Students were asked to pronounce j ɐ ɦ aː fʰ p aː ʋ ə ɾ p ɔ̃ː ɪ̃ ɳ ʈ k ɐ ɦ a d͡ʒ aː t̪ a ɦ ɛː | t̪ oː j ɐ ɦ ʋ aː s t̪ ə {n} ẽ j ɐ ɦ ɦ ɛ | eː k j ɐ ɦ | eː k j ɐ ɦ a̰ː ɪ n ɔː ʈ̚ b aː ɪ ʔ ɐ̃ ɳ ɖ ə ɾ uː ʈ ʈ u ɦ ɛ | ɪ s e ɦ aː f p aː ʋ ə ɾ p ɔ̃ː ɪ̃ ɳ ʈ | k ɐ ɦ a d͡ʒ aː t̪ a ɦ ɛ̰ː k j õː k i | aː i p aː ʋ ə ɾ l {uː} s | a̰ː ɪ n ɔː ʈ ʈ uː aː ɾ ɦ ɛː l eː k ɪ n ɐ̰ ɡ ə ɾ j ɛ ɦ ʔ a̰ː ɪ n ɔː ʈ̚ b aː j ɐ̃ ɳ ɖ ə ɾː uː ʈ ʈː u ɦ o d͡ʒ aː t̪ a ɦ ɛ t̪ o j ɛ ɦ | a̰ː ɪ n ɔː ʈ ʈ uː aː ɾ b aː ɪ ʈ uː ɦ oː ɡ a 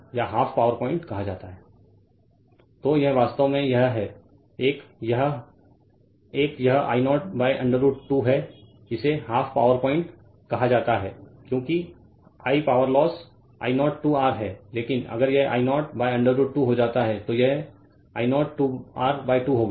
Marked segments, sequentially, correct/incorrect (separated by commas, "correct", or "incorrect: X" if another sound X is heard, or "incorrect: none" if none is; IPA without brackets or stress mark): incorrect: m, incorrect: ɔː